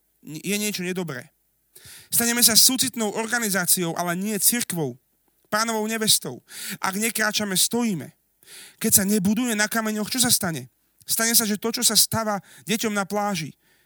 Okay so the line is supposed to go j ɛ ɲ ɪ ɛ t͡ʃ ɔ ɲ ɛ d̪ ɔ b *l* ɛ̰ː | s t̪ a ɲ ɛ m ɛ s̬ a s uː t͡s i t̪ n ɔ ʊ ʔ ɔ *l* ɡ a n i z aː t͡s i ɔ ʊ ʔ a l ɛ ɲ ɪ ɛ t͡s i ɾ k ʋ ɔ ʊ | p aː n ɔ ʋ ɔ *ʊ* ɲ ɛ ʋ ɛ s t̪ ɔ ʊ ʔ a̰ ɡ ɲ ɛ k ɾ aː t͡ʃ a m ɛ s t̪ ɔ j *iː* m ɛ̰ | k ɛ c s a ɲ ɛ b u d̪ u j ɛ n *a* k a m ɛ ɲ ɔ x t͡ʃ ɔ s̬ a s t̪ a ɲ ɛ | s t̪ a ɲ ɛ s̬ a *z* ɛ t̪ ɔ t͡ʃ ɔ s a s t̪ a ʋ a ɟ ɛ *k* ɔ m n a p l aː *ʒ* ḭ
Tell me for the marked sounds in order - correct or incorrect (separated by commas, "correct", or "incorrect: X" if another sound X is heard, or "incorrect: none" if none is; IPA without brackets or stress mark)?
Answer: incorrect: ɾ, incorrect: ɾ, correct, correct, correct, incorrect: ʒ, incorrect: c, correct